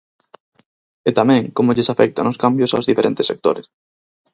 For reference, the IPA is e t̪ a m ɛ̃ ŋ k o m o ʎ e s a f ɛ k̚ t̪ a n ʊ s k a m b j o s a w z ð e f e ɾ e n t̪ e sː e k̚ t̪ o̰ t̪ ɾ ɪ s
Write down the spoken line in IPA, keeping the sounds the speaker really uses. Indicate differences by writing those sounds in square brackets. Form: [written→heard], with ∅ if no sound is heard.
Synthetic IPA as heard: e t̪ a m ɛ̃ ŋ k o m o ʎ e s a f ɛ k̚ t̪ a n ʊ s k a m b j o s a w z ð [e→i] f e ɾ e n t̪ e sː e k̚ t̪ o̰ [t̪→∅] ɾ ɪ s